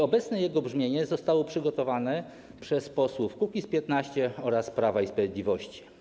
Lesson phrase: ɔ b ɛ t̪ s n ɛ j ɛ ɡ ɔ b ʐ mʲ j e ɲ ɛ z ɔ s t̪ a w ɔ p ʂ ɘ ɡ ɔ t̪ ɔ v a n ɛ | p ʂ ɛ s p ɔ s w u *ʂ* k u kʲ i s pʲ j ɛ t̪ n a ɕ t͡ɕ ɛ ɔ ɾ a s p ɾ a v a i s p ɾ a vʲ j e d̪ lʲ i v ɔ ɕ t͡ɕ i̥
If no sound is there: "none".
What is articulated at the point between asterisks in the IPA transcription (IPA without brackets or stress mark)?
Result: f